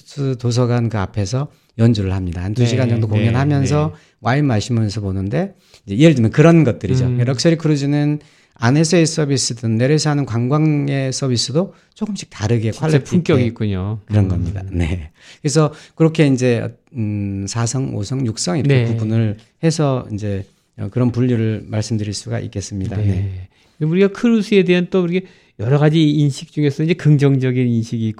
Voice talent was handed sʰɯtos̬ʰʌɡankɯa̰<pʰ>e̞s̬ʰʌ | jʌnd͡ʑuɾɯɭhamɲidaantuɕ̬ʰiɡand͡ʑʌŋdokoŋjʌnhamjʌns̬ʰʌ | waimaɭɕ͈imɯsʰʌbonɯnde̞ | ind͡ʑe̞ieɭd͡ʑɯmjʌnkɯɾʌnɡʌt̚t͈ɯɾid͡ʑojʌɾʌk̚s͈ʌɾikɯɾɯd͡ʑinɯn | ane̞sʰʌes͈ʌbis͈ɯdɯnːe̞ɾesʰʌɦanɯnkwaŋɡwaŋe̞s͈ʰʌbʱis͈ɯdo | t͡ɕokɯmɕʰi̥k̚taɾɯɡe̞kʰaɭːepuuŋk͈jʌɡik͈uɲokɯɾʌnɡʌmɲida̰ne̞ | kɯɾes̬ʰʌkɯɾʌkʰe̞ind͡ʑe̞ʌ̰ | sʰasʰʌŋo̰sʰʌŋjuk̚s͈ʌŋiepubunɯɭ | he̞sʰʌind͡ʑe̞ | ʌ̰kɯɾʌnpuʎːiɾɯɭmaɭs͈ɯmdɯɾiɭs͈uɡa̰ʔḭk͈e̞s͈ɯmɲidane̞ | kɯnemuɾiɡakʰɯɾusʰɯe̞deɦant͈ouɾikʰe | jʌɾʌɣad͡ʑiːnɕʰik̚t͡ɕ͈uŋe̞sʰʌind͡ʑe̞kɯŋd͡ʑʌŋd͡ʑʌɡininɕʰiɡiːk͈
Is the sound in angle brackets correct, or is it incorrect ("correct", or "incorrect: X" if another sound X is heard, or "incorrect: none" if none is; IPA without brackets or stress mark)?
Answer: correct